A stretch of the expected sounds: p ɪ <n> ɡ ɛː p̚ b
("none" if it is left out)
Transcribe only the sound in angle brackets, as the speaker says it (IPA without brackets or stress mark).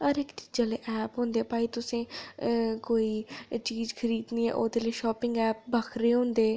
ŋ